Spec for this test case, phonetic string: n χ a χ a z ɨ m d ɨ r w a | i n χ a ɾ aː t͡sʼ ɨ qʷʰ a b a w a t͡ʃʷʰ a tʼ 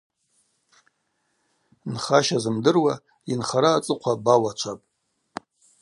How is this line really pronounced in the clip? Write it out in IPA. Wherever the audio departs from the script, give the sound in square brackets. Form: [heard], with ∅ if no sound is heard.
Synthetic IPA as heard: n χ a [ʃ] a z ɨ m d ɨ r w a | i n χ a ɾ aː t͡sʼ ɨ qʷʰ a b a w a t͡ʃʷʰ a [pʼ]